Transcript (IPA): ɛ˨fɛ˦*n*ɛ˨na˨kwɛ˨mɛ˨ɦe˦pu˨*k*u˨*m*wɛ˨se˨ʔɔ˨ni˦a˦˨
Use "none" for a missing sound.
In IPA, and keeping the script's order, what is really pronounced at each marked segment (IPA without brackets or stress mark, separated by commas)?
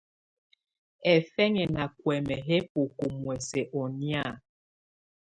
ŋ, k, m